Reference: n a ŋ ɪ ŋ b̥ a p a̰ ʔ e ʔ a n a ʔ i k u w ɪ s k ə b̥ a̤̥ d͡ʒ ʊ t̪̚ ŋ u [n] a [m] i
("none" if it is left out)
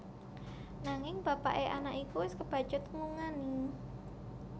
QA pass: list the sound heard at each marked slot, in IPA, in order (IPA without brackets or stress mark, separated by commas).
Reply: ŋ, n